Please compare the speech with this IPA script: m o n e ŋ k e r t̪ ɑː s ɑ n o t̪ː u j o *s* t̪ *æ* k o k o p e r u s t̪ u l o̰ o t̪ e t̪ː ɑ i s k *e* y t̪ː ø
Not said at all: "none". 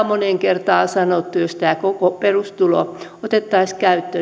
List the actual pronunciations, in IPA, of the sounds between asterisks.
s, æː, æ

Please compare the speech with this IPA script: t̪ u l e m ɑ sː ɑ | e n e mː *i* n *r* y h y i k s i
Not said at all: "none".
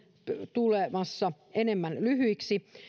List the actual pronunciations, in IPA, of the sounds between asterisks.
æ, l

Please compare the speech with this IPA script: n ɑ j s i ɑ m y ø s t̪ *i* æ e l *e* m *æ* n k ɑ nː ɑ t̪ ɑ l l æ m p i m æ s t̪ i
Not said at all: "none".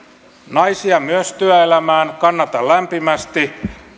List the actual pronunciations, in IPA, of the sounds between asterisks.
y, æ, æː

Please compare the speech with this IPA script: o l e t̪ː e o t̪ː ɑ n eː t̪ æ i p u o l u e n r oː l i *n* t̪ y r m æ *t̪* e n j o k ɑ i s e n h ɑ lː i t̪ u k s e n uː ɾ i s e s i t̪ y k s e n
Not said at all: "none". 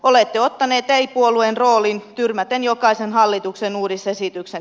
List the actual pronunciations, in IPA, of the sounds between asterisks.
n, t̪

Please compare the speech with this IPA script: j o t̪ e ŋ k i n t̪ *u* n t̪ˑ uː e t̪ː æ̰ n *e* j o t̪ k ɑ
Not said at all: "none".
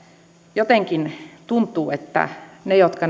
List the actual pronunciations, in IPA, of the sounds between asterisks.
u, e

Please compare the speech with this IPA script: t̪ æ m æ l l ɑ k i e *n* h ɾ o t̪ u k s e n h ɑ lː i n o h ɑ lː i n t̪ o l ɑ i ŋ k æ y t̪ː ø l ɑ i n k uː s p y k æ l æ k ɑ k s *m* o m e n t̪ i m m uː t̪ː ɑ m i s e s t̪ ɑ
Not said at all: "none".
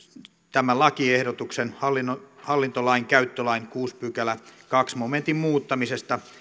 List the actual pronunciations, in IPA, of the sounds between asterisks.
none, m

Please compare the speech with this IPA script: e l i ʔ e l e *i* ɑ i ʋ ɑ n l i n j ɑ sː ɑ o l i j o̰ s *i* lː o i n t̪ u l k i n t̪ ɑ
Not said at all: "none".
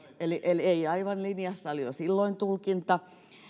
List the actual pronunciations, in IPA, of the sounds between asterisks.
i, i

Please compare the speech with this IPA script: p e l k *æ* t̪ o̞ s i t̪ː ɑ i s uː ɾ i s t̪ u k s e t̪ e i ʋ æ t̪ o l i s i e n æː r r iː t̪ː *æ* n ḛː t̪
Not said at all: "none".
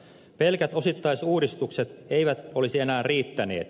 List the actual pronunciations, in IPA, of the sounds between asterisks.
æ, æ

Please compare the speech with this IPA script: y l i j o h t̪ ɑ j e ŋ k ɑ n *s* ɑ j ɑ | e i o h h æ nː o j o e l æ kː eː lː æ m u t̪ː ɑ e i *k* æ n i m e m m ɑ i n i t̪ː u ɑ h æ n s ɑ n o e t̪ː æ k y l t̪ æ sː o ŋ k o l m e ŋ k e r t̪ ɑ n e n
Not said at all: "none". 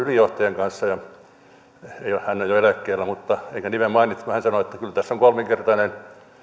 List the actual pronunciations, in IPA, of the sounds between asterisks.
sː, k

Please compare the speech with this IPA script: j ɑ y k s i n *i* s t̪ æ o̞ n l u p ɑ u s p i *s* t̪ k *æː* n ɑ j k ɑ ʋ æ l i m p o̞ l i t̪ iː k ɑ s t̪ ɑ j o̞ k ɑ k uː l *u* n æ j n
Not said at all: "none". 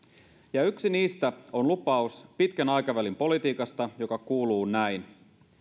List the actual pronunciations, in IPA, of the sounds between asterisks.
iː, none, æ, uː

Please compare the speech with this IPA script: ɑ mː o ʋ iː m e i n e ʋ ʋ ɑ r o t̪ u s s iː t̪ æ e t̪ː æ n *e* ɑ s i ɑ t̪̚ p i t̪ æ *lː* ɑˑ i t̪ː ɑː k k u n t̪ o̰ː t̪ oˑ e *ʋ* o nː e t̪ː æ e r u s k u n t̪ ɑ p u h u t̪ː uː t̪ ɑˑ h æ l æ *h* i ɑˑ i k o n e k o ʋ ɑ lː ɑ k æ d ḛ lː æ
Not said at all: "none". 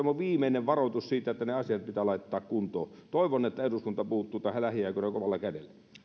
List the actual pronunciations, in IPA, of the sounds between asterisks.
e, l, ʋ, h

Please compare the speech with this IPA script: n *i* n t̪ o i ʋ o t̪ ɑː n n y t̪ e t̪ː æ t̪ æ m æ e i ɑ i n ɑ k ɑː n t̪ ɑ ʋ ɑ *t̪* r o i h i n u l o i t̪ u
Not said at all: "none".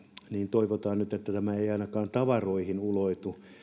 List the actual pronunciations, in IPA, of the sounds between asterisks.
iː, none

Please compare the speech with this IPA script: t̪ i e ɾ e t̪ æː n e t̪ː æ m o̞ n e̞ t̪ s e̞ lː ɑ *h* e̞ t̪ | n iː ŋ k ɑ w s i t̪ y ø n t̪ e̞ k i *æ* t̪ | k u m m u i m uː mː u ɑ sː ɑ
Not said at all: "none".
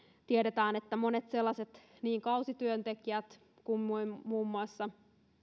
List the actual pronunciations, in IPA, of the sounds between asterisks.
s, æ

